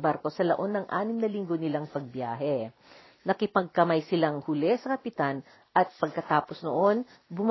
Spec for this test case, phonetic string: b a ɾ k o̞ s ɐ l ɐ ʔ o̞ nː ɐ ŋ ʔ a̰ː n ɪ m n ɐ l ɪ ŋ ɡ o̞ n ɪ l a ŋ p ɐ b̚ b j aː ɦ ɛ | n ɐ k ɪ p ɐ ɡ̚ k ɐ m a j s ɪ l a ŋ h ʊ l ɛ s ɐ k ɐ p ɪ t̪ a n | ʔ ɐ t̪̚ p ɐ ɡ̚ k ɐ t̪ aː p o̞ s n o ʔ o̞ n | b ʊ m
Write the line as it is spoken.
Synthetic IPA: b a ɾ k o̞ s ɐ l ɐ ʔ o̞ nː ɐ ŋ ʔ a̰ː n ɪ m n ɐ l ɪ ŋ ɡ o̞ n ɪ l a ŋ p ɐ ɡ̚ b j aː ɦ ɛ | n ɐ k ɪ p ɐ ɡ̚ k ɐ m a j s ɪ l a ŋ h ʊ l ɛ s ɐ k ɐ p ɪ t̪ a n | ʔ ɐ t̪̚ p ɐ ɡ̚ k ɐ t̪ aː p o̞ s n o ʔ o̞ n | b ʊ m